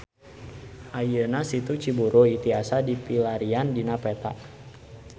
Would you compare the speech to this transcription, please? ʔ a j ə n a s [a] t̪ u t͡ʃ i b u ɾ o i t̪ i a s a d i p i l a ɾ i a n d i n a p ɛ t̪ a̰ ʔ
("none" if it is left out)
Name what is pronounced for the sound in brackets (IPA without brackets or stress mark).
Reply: i